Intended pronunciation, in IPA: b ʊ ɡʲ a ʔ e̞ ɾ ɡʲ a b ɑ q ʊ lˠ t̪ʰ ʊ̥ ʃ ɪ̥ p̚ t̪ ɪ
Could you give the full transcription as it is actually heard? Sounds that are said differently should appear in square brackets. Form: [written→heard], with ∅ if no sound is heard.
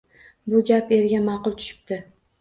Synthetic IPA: b ʊ ɡʲ a [ʔ→p] e̞ ɾ ɡʲ a [b→m] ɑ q ʊ lˠ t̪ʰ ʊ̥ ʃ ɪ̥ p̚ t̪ ɪ